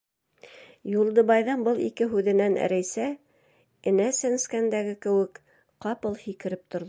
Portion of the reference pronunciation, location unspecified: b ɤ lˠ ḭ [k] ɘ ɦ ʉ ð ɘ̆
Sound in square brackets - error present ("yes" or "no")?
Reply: no